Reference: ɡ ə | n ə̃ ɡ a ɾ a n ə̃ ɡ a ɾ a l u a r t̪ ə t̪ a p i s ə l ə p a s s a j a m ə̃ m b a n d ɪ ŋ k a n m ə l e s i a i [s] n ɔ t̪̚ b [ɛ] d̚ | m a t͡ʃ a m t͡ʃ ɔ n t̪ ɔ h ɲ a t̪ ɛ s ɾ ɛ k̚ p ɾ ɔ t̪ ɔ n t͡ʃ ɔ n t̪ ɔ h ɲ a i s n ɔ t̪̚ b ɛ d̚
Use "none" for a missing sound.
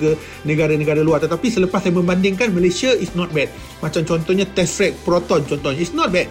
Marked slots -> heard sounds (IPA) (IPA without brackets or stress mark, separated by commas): s, ɛ